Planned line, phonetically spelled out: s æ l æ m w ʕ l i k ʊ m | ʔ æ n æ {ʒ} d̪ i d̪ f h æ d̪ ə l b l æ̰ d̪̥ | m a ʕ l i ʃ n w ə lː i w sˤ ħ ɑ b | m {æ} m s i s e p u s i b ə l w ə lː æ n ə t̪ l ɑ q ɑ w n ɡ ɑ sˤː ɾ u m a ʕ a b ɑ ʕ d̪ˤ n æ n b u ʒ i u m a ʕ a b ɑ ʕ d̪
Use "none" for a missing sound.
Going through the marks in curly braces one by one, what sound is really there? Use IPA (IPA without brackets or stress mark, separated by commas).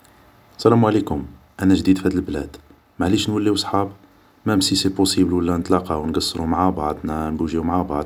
ʒ, æ